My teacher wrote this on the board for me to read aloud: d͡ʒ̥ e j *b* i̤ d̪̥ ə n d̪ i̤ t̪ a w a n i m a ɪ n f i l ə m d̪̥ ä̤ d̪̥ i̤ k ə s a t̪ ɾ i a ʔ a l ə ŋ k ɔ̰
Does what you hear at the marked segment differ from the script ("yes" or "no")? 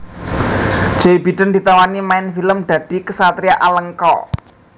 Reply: no